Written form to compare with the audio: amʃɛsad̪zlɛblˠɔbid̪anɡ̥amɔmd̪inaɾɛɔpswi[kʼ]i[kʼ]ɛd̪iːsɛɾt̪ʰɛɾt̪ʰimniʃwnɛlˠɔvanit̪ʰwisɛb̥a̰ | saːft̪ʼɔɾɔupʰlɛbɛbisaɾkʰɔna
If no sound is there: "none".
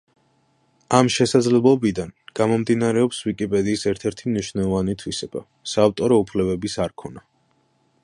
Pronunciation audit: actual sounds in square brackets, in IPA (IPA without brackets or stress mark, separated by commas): kʼ, pʼ